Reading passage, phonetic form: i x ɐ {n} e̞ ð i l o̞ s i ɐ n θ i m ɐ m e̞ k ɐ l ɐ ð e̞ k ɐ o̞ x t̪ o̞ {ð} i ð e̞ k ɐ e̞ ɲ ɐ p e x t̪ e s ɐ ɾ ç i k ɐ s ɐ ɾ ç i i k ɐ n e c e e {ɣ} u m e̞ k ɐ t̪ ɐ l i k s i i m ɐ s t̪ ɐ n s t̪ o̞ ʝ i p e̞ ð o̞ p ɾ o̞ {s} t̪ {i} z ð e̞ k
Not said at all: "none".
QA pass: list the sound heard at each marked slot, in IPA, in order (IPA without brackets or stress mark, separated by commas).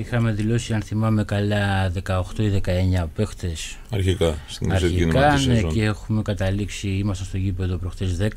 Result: m, none, x, x, e